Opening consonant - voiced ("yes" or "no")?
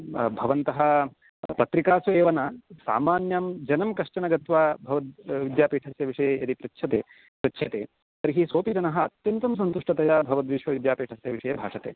yes